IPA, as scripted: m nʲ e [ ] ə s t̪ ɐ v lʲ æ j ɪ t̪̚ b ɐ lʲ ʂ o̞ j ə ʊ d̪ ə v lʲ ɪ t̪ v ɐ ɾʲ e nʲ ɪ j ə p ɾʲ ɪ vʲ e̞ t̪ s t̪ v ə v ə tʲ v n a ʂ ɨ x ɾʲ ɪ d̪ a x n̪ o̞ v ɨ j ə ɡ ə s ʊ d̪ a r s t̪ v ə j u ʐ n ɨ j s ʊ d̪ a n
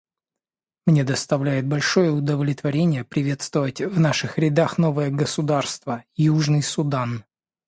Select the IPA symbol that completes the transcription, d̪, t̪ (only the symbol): d̪